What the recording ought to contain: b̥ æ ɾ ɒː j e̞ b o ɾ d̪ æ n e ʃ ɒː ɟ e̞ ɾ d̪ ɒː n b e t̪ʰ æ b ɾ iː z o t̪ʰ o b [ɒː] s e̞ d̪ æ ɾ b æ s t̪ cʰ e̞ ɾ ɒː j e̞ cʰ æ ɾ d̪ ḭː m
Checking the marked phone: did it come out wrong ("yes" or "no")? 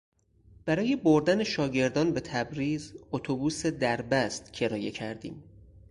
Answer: yes